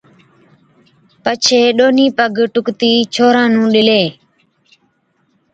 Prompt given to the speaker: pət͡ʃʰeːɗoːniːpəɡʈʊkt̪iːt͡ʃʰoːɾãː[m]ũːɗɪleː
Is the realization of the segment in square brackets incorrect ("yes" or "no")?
yes